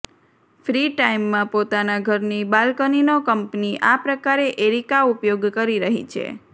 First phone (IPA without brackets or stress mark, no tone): f